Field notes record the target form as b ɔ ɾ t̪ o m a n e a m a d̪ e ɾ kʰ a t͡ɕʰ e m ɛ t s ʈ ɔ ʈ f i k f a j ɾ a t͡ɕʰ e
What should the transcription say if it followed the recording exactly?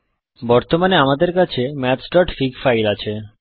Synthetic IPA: b ɔ ɾ t̪ o m a n e a m a d̪ e ɾ k a t͡ɕʰ e m ɛ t s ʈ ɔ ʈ f i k f a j l a t͡ɕʰ e